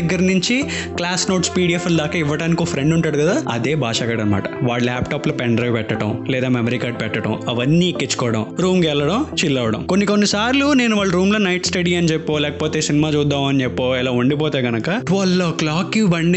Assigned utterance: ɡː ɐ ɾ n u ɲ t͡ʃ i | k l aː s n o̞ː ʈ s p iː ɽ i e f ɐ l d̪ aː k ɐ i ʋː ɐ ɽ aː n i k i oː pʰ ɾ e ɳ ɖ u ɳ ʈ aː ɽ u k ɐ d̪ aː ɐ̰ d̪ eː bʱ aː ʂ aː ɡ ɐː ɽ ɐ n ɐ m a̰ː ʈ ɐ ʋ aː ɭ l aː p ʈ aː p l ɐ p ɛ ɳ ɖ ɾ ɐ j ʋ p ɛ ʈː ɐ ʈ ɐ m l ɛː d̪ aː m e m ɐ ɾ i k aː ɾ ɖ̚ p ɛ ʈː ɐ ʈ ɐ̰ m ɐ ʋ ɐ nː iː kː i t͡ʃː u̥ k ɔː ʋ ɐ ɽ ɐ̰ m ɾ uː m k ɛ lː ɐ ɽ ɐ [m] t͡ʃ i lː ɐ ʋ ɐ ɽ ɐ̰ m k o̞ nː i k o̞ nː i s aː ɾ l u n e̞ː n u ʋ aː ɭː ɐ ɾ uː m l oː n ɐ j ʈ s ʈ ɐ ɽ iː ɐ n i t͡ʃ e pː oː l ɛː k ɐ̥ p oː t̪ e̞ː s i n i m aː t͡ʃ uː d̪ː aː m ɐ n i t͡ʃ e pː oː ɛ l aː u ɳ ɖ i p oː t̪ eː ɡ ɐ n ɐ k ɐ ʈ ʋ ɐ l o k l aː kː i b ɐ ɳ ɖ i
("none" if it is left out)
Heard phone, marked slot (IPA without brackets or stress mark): m